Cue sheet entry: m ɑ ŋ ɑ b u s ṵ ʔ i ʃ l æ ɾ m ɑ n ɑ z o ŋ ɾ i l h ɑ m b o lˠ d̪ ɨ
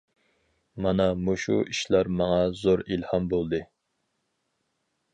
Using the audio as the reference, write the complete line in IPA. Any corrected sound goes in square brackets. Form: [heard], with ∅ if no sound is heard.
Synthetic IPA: m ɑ [n] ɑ [m] u [ʃ] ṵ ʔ i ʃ l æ ɾ m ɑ [ŋ] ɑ z o [∅] ɾ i l h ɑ m b o lˠ d̪ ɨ